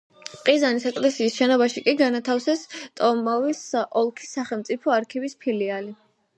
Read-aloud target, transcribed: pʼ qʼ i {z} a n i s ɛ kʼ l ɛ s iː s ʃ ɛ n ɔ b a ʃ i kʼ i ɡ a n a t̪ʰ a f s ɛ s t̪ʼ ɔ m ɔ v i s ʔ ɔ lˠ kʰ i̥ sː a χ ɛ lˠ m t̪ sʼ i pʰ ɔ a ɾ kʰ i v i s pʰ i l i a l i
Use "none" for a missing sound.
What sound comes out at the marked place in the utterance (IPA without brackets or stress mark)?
z